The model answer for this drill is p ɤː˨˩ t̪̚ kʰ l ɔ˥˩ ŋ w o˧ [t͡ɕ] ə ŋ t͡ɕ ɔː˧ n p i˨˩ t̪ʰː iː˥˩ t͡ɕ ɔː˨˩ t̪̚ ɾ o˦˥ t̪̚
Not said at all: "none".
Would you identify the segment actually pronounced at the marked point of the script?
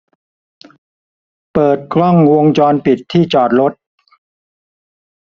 none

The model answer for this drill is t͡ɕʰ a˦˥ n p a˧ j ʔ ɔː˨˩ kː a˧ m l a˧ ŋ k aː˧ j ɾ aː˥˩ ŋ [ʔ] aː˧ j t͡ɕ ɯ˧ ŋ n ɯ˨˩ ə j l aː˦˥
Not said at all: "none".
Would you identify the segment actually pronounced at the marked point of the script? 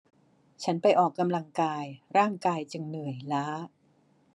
k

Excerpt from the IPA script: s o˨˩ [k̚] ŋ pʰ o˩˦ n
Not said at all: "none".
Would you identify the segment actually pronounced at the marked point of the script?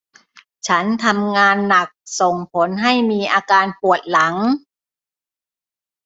none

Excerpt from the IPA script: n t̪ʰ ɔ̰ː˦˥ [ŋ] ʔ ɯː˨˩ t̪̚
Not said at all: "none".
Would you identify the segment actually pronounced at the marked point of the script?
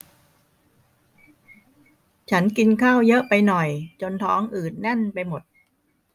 ŋ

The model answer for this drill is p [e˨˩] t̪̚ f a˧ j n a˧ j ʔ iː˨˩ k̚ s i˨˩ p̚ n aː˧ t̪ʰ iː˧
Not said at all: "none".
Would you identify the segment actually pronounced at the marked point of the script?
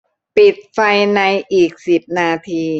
i˨˩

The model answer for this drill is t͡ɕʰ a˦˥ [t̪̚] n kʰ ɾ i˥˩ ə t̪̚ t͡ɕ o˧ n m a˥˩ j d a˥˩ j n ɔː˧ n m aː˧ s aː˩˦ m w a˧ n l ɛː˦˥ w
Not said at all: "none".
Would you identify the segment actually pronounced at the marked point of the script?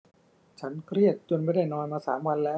none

